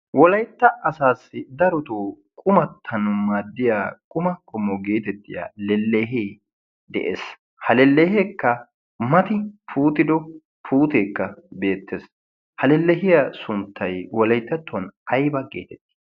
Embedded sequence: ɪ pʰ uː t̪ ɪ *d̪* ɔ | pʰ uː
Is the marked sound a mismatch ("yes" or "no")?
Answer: no